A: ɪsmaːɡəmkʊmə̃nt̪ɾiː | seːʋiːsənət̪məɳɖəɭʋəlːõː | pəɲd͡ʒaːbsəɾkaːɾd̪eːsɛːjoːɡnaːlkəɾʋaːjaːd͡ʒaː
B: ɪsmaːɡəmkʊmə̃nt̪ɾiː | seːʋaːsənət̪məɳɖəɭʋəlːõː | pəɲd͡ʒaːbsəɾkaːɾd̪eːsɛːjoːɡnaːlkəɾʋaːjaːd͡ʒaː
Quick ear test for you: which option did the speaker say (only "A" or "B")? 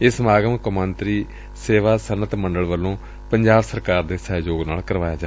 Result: B